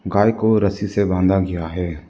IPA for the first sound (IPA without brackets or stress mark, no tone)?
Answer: ɡ